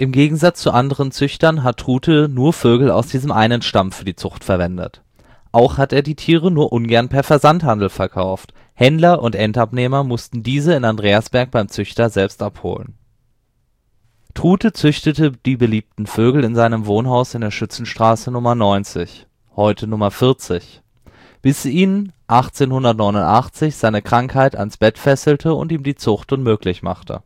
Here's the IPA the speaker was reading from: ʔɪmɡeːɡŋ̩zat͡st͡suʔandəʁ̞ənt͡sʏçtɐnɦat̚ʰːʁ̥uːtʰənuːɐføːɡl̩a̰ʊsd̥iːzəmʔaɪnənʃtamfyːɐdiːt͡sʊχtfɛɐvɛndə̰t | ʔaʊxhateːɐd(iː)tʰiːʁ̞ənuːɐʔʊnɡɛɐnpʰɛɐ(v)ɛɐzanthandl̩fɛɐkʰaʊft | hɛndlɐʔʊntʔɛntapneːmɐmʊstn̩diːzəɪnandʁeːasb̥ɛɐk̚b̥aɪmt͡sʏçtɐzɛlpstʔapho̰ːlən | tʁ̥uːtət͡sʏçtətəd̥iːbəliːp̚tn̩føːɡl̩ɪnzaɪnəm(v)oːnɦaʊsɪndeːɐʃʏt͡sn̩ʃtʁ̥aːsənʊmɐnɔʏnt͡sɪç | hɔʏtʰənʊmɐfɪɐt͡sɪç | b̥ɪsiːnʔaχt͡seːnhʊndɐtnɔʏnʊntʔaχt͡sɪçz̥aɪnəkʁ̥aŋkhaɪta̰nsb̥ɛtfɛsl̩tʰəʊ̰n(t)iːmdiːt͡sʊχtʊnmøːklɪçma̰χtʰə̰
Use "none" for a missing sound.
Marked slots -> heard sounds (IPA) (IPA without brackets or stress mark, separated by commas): iː, f, v, t